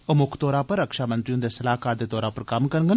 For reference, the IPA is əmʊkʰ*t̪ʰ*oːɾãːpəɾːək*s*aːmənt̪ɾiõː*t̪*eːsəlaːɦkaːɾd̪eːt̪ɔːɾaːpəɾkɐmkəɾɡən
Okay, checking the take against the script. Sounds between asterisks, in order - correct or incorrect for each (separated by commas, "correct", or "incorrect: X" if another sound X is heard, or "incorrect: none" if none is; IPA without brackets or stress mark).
incorrect: t̪, incorrect: ʃ, incorrect: d̪